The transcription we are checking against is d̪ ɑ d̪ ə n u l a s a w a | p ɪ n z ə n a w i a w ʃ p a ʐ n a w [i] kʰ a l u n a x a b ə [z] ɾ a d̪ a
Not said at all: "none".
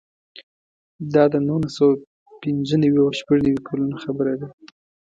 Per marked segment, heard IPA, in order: i, none

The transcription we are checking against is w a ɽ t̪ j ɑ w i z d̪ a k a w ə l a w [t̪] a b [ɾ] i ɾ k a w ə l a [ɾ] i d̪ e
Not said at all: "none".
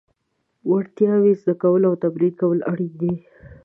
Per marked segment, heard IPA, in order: t̪, ɾ, ɽ

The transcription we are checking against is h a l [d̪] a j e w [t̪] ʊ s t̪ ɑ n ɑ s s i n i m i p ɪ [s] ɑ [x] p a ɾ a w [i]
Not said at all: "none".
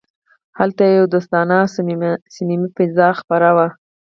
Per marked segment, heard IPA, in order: t̪, d̪, z, x, a

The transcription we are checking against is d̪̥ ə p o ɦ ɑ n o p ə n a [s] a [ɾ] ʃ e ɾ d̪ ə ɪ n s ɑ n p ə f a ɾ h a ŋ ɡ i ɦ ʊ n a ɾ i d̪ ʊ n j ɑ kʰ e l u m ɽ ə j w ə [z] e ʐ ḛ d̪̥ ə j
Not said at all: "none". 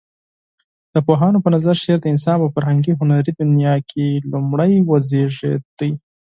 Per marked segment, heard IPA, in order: z, ɾ, z

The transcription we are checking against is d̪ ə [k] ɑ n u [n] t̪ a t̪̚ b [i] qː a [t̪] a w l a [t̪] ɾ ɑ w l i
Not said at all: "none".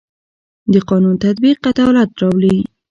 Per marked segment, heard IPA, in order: q, n, i, t̪, t̪

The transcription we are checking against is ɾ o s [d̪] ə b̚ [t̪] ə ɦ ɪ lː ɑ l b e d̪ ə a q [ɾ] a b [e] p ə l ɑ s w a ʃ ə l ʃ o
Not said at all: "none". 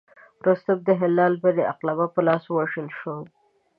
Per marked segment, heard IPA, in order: t̪, d̪, l, a

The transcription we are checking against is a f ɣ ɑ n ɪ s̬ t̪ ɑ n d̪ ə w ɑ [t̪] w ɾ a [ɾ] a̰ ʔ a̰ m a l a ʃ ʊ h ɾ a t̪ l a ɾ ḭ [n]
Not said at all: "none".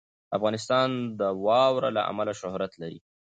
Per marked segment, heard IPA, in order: none, l, none

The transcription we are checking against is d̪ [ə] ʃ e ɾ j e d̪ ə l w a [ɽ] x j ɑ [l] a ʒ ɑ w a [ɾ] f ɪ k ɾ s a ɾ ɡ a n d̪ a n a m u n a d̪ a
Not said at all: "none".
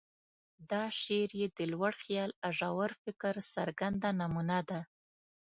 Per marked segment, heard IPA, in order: ɑ, ɽ, l, ɾ

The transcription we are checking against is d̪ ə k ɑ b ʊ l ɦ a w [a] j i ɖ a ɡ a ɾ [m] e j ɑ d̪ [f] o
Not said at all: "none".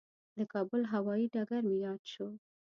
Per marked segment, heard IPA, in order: ɑ, m, ʃ

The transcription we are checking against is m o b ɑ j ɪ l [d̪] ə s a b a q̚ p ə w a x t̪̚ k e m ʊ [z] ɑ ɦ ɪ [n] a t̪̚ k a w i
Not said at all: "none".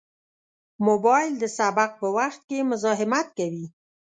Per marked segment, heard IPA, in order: d̪, z, m

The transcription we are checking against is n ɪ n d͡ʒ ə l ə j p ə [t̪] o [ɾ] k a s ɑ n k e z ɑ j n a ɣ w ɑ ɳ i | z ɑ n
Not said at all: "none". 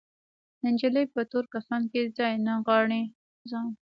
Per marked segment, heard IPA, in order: t̪, ɾ

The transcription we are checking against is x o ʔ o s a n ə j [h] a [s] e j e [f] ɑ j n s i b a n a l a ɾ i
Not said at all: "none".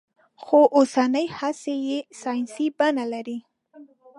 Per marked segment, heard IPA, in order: h, s, s

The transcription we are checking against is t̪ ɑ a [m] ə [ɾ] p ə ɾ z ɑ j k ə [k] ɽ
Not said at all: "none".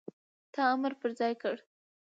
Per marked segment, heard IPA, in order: m, ɾ, none

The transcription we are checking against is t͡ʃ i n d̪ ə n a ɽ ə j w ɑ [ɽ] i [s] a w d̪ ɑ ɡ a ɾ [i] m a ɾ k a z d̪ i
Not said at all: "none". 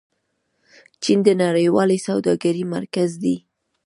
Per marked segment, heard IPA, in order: l, s, i

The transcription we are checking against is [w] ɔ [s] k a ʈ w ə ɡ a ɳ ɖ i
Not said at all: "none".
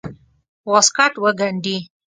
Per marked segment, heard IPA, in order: w, s

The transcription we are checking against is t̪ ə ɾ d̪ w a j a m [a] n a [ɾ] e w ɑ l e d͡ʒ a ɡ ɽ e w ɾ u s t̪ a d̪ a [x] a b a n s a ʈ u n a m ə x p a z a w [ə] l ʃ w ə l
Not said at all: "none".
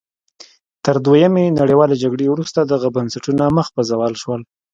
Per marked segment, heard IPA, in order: e, ɽ, ɣ, ɑ

